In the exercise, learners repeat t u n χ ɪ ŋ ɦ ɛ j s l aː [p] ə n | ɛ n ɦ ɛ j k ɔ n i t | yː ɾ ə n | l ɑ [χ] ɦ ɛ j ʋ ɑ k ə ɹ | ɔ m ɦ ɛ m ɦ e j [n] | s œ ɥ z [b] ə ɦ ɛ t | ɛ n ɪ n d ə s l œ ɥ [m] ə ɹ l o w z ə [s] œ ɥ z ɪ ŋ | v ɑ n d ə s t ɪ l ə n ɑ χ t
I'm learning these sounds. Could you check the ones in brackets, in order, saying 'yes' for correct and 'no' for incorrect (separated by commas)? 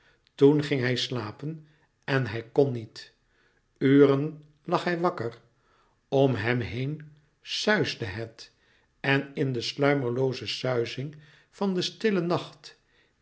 yes, yes, yes, no, yes, yes